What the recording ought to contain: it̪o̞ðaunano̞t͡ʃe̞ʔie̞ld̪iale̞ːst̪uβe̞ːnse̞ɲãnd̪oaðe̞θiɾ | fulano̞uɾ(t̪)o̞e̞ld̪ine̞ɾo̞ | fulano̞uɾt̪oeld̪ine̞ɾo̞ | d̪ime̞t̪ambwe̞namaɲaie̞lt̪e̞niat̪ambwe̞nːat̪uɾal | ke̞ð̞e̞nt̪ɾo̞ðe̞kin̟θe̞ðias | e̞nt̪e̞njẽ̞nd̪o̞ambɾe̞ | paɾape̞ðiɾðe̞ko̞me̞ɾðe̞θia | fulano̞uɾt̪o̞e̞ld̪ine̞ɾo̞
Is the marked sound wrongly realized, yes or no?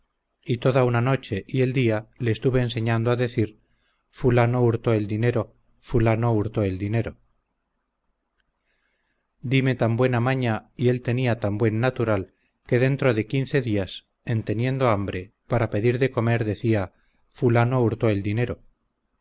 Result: no